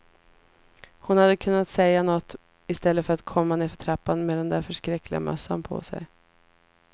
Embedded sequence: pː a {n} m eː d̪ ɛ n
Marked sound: correct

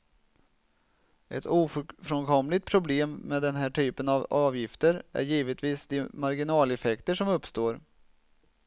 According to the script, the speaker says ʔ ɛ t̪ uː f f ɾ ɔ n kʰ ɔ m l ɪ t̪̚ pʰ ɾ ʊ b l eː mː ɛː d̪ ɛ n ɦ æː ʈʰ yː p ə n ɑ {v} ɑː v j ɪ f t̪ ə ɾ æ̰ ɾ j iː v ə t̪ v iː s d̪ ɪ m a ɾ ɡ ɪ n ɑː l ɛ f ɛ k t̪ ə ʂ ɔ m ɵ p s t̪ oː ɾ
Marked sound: correct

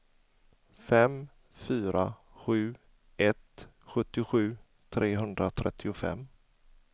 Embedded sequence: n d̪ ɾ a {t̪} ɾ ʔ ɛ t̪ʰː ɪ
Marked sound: incorrect: t̪ʰ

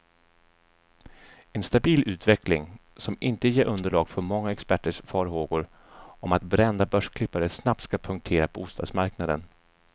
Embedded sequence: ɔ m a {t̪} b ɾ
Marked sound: correct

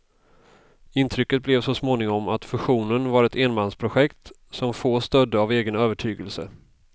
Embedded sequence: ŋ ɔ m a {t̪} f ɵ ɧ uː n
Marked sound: correct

